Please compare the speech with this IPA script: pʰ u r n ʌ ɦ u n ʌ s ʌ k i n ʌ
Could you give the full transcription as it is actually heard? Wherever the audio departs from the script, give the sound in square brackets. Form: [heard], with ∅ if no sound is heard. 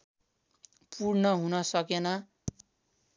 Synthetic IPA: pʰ u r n ʌ ɦ u n ʌ s ʌ k [e] n ʌ